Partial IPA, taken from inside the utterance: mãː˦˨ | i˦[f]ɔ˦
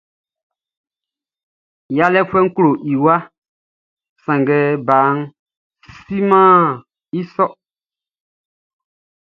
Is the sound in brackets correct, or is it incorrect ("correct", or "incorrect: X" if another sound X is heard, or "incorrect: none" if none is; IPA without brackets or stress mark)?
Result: incorrect: s